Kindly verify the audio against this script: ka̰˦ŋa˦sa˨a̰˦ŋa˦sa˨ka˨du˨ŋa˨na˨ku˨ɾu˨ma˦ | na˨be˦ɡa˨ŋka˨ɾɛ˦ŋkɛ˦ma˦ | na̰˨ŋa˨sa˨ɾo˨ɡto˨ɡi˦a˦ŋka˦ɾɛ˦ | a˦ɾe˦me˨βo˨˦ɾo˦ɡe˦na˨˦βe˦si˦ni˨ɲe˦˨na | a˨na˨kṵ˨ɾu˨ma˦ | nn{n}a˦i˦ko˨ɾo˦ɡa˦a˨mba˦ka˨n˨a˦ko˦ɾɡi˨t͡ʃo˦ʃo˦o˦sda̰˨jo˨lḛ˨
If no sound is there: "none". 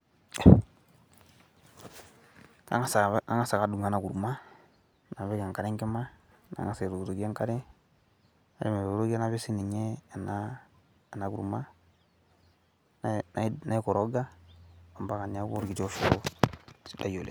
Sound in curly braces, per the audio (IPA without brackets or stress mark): n